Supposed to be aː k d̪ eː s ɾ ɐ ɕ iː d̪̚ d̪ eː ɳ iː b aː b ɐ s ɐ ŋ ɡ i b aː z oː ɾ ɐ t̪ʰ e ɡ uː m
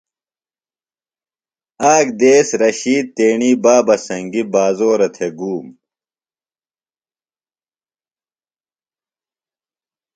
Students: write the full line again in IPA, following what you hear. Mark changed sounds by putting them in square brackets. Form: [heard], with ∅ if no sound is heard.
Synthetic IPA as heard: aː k d̪ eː s ɾ ɐ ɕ iː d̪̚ [t̪] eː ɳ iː b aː b ɐ s ɐ ŋ ɡ i b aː z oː ɾ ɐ t̪ʰ e ɡ uː m